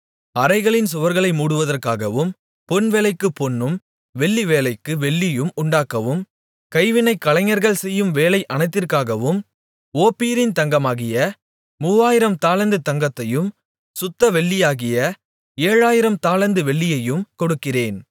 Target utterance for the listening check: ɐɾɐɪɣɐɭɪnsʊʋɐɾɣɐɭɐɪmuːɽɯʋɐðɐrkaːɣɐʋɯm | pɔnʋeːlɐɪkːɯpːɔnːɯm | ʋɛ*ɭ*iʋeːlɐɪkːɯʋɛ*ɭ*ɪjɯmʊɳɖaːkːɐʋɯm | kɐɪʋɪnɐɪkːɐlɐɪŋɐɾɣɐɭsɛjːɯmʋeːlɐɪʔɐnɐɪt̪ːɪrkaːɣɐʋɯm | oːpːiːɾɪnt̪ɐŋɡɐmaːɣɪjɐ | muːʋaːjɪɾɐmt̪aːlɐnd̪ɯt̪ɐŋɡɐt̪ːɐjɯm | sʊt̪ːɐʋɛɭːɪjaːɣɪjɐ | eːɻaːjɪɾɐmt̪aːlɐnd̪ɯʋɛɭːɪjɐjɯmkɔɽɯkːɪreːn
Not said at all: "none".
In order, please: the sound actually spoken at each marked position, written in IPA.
ɭː, ɭː

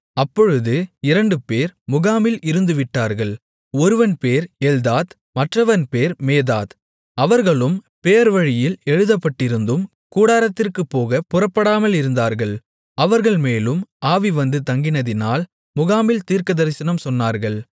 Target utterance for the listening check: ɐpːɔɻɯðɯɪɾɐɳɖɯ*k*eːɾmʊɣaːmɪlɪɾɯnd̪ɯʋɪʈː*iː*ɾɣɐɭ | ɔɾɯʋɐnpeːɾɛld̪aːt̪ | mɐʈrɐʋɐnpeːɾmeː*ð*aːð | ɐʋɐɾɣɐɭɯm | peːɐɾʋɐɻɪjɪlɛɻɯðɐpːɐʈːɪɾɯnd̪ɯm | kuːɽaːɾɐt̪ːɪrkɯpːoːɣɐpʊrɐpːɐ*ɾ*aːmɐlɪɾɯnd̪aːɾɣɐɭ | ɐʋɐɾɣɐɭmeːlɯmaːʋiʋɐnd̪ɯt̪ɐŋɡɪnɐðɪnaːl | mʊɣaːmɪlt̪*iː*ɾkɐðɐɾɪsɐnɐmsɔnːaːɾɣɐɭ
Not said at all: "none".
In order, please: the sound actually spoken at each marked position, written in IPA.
p, aː, ð, ɽ, iː

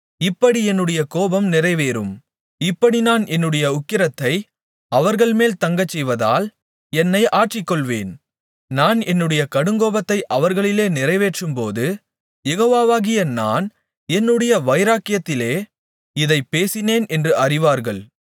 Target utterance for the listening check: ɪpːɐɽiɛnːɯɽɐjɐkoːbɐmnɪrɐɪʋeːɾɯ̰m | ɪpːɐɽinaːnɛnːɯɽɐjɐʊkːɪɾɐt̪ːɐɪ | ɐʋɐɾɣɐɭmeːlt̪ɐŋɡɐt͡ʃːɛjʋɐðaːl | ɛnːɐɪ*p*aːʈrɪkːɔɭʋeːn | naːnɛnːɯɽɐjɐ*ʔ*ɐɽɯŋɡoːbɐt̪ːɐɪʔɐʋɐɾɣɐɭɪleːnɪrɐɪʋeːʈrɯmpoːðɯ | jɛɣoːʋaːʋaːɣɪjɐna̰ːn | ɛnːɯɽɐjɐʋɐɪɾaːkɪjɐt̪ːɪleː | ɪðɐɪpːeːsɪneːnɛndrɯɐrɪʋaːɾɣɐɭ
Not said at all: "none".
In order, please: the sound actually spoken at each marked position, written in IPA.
ʔ, k

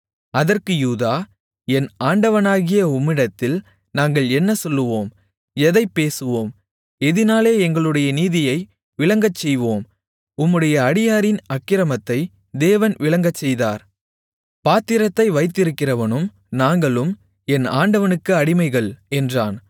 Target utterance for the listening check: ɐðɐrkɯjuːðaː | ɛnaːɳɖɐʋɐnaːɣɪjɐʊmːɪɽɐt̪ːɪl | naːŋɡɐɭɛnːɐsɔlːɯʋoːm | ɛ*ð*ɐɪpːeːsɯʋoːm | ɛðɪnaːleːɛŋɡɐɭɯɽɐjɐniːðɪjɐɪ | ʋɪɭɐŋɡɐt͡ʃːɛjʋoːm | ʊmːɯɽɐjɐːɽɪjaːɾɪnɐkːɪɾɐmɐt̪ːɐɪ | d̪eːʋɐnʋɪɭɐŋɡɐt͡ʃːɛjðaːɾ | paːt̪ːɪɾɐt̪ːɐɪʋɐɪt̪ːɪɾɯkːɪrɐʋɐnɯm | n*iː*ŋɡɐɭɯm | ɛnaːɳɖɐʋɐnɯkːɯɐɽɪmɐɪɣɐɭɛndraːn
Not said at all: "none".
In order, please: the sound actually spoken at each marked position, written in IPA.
ð, aː

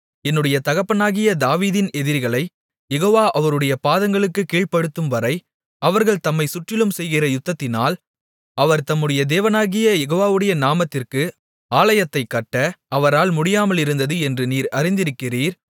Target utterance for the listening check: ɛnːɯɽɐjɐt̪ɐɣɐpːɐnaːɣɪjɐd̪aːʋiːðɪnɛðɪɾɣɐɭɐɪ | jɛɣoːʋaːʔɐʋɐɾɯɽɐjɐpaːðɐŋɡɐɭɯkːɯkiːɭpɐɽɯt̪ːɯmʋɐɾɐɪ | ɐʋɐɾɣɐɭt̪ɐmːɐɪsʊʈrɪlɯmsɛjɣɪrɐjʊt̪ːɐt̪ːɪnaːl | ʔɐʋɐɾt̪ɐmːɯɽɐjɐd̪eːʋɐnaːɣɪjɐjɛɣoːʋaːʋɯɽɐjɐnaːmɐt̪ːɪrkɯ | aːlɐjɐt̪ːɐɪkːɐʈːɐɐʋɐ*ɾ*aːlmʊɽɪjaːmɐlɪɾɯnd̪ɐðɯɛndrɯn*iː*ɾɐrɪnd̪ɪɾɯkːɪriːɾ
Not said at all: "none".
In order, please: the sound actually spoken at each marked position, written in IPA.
ɾ, iː

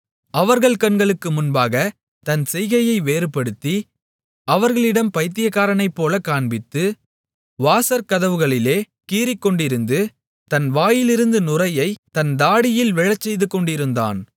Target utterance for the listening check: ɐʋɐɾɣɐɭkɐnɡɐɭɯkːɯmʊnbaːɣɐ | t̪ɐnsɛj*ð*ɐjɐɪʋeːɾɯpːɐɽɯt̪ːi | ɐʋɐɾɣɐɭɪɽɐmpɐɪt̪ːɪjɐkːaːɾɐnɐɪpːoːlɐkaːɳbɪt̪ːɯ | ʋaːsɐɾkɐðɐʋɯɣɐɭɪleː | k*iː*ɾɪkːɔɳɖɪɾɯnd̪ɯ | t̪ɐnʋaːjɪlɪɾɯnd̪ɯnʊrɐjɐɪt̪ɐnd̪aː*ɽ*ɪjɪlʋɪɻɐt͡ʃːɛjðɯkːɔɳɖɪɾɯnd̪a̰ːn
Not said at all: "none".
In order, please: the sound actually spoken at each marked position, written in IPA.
ɣ, iː, ɽ

